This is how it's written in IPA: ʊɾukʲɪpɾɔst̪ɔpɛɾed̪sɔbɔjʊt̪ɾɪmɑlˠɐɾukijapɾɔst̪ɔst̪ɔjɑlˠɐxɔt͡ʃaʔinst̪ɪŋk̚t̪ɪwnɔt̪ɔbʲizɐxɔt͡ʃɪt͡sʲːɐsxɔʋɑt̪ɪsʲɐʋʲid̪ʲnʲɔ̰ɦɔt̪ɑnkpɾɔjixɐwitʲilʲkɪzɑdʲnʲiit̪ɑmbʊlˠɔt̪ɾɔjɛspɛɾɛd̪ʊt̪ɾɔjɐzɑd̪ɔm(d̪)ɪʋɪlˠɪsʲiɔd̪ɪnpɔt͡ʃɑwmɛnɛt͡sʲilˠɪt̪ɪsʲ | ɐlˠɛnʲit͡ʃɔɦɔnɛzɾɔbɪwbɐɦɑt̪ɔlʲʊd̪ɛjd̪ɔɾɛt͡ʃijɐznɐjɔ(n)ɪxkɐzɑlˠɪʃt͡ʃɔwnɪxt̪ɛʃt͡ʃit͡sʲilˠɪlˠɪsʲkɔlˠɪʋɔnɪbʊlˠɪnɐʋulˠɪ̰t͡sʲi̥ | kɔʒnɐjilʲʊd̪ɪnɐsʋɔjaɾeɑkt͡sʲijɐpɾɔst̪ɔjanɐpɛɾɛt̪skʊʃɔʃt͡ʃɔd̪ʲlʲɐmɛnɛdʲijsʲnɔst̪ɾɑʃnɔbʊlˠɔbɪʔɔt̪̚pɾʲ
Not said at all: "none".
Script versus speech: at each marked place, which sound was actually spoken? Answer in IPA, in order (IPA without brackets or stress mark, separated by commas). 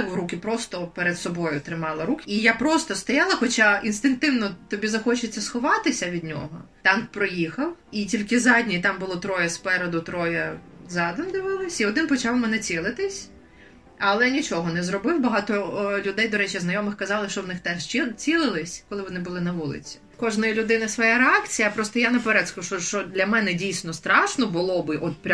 d̪, m